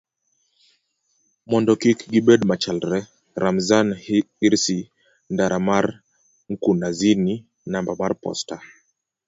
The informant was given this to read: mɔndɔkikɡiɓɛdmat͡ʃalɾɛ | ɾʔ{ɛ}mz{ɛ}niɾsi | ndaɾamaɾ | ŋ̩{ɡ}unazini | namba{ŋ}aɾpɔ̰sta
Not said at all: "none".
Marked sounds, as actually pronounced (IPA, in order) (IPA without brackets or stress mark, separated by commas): a, a, k, m